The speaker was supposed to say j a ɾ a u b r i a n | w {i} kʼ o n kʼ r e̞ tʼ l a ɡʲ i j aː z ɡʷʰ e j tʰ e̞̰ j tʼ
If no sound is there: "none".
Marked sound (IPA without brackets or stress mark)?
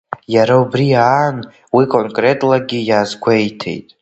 i